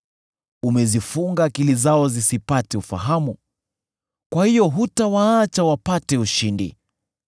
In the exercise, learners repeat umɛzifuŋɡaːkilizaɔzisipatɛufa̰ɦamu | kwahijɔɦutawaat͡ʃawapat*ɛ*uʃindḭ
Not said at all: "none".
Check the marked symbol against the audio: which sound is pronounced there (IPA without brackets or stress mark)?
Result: ɛ